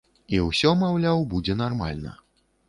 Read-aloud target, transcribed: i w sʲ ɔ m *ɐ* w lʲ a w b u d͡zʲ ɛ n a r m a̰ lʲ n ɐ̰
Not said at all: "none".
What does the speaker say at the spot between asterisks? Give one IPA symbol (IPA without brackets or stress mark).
a